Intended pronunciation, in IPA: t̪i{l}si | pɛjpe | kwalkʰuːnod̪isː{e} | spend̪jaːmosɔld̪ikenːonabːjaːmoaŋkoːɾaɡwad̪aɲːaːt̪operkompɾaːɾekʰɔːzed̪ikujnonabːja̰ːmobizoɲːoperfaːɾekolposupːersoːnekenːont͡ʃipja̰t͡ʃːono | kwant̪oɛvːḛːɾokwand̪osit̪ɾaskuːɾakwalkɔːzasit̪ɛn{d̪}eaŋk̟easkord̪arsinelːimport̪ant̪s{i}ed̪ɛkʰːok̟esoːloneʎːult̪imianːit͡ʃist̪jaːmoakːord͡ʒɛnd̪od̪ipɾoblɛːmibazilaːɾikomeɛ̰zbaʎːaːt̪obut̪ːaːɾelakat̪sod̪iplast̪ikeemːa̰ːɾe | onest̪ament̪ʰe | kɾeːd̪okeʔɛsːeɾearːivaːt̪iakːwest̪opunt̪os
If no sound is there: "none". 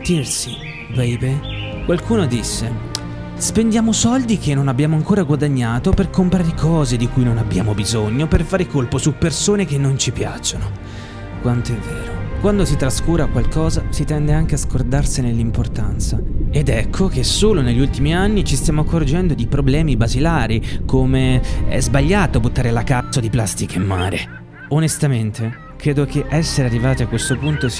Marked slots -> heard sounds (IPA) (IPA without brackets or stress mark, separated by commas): r, e, d̪, a